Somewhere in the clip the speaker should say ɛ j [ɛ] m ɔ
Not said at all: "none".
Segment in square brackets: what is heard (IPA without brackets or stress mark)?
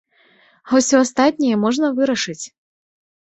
ɛ